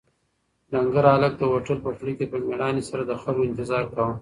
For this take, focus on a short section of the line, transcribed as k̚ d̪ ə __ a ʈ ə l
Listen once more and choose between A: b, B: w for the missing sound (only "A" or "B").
B